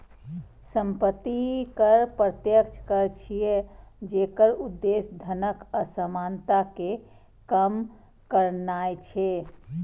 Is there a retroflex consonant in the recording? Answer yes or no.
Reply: no